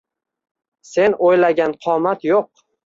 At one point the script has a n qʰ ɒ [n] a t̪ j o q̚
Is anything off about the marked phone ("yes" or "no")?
yes